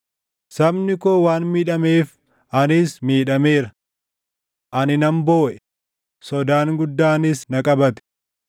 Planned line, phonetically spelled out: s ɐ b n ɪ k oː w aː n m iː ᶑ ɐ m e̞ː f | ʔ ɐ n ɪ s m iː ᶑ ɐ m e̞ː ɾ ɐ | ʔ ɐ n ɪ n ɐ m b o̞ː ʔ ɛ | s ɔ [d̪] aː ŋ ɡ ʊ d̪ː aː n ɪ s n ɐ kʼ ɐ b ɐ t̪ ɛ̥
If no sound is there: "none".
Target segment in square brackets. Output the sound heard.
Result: d̪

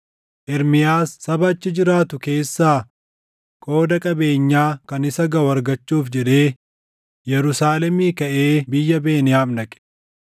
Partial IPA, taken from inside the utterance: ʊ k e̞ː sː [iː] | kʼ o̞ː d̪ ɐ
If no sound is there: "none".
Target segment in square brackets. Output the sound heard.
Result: aː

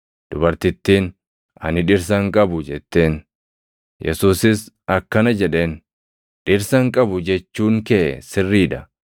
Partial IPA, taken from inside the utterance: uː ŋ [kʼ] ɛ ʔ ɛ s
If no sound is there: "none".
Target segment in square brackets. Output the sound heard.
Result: k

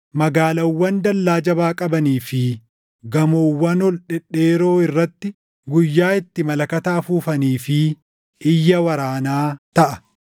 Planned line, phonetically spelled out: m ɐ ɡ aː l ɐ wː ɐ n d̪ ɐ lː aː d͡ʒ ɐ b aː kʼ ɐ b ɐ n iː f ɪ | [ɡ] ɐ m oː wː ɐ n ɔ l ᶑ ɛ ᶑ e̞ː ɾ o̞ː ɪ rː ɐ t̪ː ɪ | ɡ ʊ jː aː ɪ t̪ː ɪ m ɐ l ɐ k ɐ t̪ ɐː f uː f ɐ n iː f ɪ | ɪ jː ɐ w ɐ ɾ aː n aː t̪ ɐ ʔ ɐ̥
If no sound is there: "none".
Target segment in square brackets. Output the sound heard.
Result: ɡ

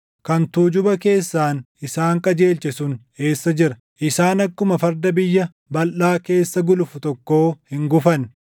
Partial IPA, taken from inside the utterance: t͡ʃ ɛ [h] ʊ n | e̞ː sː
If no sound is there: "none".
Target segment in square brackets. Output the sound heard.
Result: s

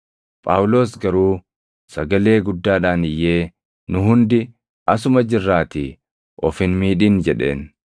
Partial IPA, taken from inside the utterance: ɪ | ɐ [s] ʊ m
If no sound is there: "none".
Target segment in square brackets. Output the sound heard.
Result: s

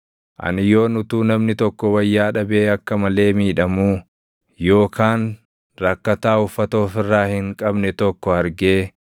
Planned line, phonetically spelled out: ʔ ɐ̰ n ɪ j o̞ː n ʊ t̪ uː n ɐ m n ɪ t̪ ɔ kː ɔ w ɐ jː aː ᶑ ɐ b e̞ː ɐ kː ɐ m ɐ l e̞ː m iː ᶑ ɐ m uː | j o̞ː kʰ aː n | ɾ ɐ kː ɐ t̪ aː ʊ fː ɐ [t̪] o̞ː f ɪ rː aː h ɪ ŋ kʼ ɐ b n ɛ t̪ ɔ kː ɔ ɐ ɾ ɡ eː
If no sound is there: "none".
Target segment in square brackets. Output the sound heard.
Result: t̪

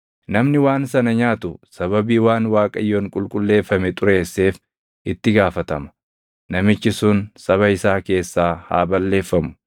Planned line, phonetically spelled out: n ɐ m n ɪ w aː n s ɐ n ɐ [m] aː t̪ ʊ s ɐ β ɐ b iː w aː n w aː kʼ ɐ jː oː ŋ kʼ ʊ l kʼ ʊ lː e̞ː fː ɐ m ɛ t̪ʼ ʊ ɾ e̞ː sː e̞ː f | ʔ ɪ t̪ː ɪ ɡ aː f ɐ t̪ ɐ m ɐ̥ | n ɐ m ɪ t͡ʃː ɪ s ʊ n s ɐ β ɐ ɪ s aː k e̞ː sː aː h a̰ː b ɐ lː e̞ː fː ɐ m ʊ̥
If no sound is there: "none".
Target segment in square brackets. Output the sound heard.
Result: ɲ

